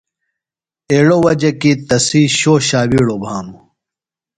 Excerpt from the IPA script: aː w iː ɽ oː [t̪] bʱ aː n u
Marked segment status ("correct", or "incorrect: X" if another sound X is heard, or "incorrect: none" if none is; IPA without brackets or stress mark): incorrect: none